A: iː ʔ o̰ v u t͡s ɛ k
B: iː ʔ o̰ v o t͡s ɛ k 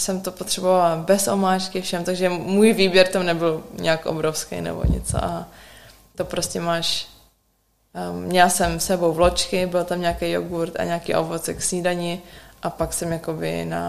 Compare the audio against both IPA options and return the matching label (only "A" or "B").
B